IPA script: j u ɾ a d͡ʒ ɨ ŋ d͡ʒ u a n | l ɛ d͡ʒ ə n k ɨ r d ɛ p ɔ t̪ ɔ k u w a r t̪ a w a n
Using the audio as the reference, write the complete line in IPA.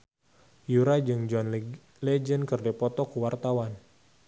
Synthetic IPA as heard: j u ɾ a d͡ʒ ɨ ŋ d͡ʒ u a n | l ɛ d͡ʒ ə n k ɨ r d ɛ p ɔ t̪ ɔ k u w a r t̪ a w a n